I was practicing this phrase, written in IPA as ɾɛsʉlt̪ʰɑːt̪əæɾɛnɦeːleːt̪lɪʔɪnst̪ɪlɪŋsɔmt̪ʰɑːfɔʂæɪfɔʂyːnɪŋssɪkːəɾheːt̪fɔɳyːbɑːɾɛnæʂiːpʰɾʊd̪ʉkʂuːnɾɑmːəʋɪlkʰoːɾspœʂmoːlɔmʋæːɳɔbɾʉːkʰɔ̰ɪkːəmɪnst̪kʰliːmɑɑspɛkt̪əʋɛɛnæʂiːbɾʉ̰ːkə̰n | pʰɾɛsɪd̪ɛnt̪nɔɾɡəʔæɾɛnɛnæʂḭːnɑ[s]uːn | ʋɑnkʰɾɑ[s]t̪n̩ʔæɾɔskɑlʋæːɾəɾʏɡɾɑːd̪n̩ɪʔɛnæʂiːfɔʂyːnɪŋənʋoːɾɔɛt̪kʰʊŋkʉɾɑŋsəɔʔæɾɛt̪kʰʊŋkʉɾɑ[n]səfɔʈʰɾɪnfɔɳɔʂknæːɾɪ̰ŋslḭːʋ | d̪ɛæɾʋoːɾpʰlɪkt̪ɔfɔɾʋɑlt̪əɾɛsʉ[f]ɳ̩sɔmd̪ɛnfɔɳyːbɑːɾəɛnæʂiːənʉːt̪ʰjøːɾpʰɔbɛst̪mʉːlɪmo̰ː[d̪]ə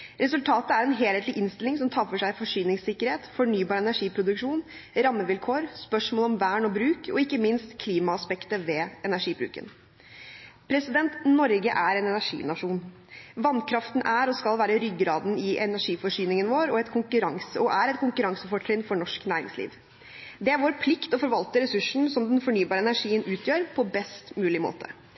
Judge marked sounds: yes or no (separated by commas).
no, no, no, no, no